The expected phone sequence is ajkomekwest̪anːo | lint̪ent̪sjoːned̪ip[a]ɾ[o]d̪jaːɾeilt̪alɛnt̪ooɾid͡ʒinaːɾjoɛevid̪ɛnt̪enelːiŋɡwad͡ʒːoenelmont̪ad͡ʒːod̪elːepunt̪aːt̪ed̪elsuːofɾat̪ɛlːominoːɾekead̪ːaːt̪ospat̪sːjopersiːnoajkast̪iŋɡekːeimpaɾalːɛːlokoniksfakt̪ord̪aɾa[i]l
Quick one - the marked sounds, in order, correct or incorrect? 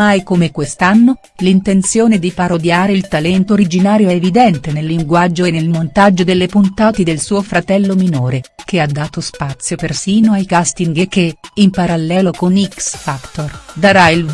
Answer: correct, correct, correct

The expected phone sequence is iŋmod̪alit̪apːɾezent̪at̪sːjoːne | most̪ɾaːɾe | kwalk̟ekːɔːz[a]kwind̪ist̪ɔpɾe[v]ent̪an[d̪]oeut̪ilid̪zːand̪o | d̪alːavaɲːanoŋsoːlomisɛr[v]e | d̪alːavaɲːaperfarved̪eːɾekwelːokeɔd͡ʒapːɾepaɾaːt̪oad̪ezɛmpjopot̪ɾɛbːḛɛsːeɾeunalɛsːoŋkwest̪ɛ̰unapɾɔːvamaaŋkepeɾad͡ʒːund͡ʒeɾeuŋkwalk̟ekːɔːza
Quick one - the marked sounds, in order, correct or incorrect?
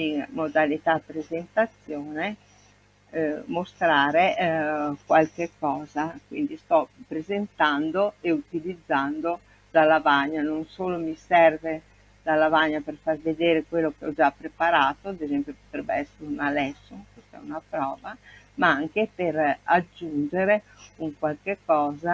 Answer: correct, incorrect, correct, correct

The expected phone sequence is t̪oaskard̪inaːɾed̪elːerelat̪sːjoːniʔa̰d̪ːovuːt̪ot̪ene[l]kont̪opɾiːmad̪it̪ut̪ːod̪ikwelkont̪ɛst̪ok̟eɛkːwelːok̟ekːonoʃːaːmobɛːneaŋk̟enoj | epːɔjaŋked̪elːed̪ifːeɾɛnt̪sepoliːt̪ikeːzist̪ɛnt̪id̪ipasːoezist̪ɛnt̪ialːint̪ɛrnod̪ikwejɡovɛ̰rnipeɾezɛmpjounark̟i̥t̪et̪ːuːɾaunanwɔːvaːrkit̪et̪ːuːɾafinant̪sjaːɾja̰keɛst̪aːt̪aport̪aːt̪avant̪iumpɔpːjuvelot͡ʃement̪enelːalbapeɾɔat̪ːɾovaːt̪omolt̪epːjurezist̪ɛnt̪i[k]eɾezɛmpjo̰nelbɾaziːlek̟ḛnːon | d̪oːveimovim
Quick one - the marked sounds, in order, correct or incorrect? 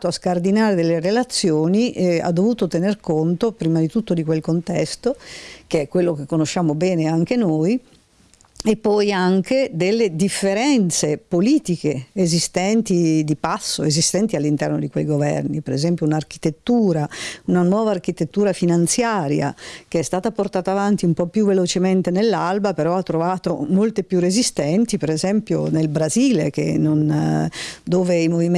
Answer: incorrect, incorrect

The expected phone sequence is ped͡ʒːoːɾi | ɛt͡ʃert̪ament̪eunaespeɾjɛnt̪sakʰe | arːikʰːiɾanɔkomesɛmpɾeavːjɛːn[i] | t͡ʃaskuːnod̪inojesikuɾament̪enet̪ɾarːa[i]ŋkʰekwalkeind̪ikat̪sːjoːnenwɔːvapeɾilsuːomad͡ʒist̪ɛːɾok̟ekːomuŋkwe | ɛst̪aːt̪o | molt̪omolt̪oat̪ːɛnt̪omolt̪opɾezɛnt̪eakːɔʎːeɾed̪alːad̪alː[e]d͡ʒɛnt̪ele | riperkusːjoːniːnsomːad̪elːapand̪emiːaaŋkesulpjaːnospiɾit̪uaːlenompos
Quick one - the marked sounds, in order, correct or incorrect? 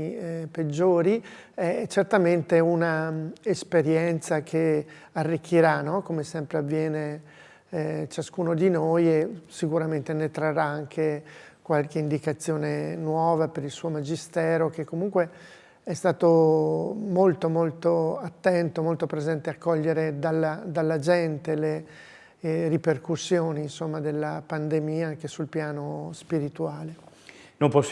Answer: incorrect, incorrect, incorrect

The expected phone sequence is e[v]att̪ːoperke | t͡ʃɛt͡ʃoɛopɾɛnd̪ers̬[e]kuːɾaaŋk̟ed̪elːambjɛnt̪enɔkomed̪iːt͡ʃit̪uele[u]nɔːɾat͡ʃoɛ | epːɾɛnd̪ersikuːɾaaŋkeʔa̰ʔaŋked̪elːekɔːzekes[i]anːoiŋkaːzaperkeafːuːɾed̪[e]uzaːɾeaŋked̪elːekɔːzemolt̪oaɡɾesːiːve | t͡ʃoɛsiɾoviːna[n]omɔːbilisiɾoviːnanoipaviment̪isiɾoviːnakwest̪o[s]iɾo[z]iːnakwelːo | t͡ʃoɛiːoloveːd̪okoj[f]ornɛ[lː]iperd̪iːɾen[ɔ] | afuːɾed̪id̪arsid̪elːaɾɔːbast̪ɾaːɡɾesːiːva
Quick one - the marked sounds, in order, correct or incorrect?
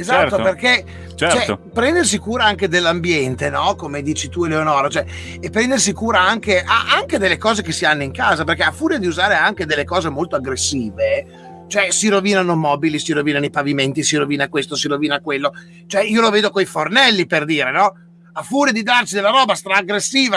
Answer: incorrect, incorrect, incorrect, correct, incorrect, correct, correct, incorrect, correct, correct, correct

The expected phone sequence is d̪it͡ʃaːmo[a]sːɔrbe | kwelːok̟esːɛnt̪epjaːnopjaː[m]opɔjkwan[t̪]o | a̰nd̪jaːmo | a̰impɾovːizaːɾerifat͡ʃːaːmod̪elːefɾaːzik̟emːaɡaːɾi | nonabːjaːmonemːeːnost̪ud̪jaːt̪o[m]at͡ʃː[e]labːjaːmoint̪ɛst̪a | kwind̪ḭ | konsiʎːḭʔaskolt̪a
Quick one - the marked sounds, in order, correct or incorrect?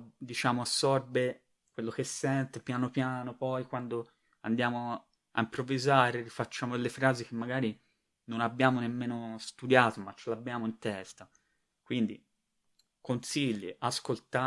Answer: correct, incorrect, incorrect, correct, correct

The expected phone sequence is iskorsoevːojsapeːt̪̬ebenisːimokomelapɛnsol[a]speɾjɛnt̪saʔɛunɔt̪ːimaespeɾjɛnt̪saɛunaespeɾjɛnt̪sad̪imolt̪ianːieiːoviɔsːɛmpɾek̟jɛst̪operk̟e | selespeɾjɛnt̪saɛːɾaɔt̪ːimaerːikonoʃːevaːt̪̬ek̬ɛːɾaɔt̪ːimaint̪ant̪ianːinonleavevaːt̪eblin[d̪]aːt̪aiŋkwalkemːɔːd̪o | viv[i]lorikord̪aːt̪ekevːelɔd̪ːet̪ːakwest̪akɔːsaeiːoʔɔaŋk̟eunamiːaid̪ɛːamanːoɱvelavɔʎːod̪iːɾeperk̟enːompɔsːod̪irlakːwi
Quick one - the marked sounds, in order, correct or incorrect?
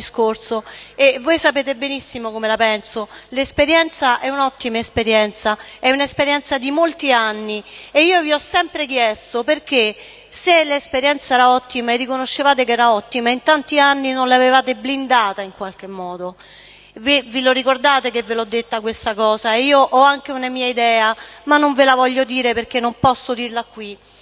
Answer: incorrect, correct, correct

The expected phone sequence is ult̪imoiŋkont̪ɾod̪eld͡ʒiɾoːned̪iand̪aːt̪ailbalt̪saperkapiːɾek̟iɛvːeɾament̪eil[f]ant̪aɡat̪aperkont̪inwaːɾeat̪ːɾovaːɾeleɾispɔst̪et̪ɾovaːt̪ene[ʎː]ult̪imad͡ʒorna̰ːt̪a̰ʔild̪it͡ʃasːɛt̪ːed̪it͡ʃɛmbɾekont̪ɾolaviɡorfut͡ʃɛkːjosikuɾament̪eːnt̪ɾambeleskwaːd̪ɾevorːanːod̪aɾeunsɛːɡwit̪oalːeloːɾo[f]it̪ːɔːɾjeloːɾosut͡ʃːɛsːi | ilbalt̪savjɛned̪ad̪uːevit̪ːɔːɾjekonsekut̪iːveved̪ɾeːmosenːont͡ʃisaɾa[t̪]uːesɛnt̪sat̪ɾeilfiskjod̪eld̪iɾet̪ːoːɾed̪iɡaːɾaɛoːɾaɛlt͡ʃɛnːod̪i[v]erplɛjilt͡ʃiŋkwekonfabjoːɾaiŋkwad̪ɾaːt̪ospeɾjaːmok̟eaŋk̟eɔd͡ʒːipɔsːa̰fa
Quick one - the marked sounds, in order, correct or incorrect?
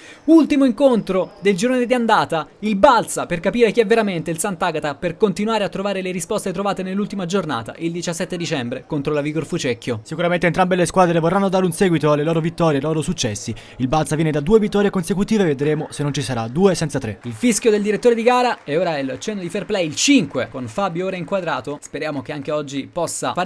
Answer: incorrect, incorrect, incorrect, incorrect, incorrect

